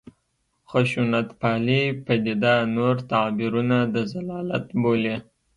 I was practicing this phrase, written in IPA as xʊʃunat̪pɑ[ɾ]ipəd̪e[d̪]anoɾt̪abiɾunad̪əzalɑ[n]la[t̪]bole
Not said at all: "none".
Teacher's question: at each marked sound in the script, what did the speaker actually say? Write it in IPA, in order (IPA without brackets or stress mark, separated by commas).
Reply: l, d̪, none, t̪